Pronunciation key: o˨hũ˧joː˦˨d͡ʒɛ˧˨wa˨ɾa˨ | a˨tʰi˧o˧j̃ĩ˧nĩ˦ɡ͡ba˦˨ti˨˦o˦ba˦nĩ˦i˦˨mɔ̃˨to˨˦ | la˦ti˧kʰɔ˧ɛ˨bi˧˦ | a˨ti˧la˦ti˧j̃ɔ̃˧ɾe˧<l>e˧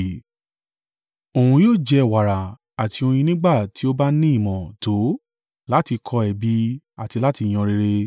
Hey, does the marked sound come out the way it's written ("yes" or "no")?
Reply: no